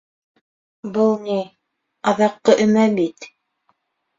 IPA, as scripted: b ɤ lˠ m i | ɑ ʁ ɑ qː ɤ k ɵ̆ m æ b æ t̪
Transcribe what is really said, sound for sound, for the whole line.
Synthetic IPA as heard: b ɤ lˠ n i | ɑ ð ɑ qː ɤ ʔ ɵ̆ m æ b i t̪